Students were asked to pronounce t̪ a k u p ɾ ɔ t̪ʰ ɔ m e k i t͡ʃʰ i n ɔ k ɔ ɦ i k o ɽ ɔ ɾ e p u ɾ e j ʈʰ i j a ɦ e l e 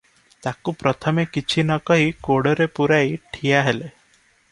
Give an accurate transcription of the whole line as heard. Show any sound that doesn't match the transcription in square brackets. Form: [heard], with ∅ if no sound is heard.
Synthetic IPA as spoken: t̪ a k u p ɾ ɔ t̪ʰ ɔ m e k i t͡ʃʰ i n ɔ k ɔ ɦ i k o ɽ ɔ ɾ e p u ɾ [a] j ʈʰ i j a ɦ e l e